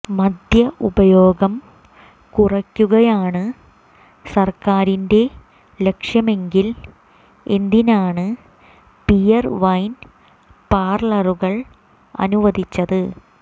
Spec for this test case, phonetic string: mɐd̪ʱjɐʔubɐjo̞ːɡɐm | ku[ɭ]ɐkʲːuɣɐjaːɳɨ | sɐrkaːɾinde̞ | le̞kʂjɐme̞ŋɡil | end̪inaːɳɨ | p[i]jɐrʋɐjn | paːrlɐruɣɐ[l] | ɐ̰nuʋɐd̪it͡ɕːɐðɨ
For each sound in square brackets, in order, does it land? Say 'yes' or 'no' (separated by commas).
no, yes, no